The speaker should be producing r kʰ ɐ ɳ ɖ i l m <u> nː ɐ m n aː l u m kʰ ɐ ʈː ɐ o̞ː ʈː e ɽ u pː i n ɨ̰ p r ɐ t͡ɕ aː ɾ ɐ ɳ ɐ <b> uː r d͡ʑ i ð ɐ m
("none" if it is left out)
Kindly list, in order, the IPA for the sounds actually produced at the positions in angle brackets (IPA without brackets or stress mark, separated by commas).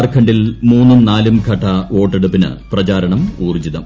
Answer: uː, m